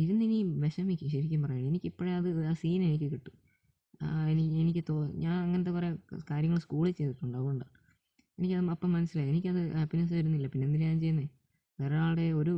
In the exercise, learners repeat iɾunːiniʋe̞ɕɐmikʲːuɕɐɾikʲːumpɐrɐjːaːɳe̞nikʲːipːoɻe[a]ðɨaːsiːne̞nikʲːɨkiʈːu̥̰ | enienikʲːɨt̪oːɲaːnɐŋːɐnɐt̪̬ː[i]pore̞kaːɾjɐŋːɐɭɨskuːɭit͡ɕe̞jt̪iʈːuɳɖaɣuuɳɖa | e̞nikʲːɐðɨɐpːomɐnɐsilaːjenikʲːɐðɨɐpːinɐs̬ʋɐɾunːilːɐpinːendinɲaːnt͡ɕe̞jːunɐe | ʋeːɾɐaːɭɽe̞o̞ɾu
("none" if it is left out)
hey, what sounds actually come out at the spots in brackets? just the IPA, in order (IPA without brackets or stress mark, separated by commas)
ɐ, e